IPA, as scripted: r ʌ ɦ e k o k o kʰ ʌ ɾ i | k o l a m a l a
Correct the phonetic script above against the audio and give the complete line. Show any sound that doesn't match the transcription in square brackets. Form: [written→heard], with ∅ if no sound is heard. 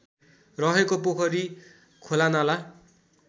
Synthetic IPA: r ʌ ɦ e k o [k→p] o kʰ ʌ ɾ i | [k→kʰ] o l a [m→n] a l a